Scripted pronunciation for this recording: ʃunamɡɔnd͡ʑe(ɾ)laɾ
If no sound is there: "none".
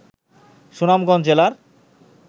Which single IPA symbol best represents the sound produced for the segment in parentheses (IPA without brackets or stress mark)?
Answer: none